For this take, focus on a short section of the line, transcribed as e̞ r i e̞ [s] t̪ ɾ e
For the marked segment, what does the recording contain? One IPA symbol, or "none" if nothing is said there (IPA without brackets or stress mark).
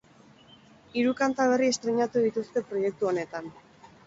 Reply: s